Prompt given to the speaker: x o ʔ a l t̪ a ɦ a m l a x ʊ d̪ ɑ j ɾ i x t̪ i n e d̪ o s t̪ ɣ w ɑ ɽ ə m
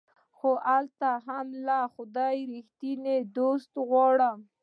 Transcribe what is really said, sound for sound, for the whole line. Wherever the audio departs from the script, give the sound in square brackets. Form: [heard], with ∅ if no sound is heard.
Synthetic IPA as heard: x o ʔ a l t̪ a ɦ a m l a x ʊ d̪ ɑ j ɾ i x t̪ i n e d̪ o s t̪ ɣ w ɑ ɽ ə m